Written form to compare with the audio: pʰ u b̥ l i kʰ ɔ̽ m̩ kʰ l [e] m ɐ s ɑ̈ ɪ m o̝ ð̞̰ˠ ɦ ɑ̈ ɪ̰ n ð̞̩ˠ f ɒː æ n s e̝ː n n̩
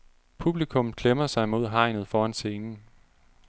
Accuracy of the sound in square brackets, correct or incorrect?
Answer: correct